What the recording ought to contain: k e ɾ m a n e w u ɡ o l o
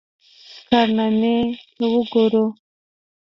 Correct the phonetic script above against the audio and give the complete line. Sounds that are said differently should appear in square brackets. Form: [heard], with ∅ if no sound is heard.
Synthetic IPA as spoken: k [a] ɾ [n] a n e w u ɡ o [ɾ] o